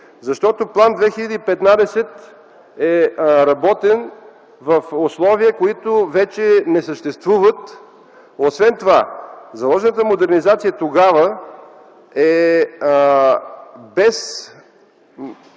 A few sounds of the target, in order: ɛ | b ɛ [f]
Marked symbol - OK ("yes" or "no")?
no